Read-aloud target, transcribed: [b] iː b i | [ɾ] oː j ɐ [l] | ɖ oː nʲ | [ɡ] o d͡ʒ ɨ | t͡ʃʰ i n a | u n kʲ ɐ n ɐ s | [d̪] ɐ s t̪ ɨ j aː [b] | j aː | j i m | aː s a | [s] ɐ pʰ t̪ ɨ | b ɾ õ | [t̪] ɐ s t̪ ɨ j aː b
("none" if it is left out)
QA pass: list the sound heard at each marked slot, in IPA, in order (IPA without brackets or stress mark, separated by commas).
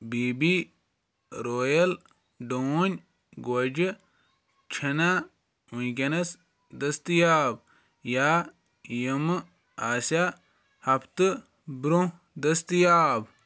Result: b, ɾ, l, ɡ, d̪, b, h, d̪